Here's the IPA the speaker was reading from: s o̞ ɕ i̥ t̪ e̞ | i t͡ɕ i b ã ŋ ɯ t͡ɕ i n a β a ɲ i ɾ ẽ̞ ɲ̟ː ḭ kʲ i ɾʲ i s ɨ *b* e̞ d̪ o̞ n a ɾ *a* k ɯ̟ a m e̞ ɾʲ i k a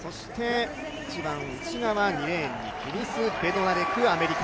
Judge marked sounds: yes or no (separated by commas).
yes, no